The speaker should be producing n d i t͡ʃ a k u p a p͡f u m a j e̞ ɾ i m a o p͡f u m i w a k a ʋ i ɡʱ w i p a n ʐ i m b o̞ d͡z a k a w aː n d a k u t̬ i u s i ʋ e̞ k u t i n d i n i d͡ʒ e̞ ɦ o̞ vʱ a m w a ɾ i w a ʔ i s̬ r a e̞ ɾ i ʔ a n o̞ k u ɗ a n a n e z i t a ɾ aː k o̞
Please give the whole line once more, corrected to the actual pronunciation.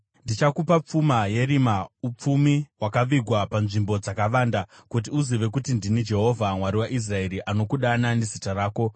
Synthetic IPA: n d i t͡ʃ a k u p a p͡f u m a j e̞ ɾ i m a u p͡f u m i w a k a ʋ i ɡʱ w a p a n ʐ i m b o̞ d͡z a k a ʋ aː n d a k u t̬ i u z i ʋ e̞ k u t i n d i n i d͡ʒ e̞ ɦ o̞ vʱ a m w a ɾ i w a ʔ i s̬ r a e̞ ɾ i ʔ a n o̞ k u ɗ a n a n e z i t a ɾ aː k o̞

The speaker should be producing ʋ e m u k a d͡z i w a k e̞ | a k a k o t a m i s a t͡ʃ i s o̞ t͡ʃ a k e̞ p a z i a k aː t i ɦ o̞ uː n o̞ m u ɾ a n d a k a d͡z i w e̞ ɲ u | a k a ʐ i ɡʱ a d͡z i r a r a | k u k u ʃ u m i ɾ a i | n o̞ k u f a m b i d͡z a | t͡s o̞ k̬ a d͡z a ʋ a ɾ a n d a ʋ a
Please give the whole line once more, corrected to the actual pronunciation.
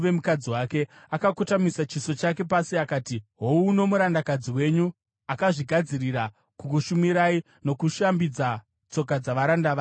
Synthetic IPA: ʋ e m u k a d͡z i w a k e̞ | a k a k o t a m i s a t͡ʃ i s o̞ t͡ʃ a k e̞ p a s i a k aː t i ɦ o̞ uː n o̞ m u ɾ a n d a k a d͡z i w e̞ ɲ u | a k a ʐ i ɡʱ a d͡z i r i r a | k u k u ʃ u m i ɾ a i | n o̞ k u ʃ a m b i d͡z a | t͡s o̞ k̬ a d͡z a ʋ a ɾ a n d a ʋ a

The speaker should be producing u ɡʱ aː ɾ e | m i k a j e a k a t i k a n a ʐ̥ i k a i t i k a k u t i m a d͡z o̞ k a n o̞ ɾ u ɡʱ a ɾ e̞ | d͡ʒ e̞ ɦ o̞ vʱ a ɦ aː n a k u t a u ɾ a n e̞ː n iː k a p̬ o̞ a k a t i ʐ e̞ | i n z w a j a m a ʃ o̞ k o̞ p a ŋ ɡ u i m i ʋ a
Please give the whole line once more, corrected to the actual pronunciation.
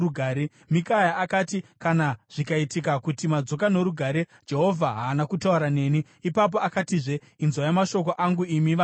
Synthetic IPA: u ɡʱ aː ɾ e | m i k a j a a k a t i k a n a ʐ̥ i k a i t i k a k u t i m a d͡z o̞ k a n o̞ ɾ u ɡʱ a ɾ e̞ | d͡ʒ e̞ ɦ o̞ vʱ a ɦ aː n a k u t a u ɾ a n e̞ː n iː p a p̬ o̞ a k a t i ʐ e̞ | i n z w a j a m a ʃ o̞ k o̞ ʔ a ŋ ɡ u i m i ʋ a

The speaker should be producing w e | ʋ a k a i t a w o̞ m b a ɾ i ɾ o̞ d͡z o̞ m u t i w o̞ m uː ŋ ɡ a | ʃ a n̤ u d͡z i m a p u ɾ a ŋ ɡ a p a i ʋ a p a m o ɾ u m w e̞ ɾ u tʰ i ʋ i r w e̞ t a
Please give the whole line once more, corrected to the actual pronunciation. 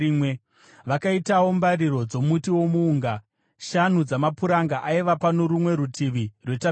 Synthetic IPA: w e | ʋ a k a i t a w o̞ m b a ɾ i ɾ o̞ d͡z o̞ m u t i w o̞ m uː ŋ ɡ a | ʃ a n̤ u d͡z a m a p u ɾ a ŋ ɡ a ʔ a i ʋ a p a n o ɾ u m w e̞ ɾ u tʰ i ʋ i r w e̞ t a

